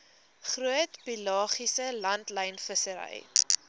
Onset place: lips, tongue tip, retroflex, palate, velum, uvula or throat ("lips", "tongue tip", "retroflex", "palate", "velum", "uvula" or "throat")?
uvula